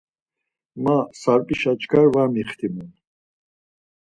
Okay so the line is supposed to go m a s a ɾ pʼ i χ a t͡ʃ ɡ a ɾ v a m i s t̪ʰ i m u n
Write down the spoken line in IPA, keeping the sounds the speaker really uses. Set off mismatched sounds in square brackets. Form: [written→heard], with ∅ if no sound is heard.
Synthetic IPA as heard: m a s a ɾ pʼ i [χ→ʃ] a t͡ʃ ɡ a ɾ v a m i [s→χ] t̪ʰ i m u n